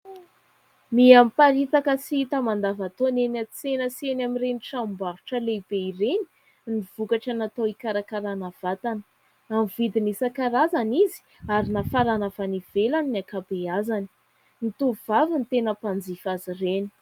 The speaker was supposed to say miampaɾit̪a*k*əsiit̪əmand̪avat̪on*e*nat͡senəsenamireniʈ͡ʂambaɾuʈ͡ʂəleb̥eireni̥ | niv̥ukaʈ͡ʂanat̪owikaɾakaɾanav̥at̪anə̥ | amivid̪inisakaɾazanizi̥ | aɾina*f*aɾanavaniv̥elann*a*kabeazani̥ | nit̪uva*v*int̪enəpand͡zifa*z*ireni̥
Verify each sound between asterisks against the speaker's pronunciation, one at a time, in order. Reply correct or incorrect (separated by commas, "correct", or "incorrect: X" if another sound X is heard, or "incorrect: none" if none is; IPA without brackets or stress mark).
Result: correct, correct, correct, correct, correct, correct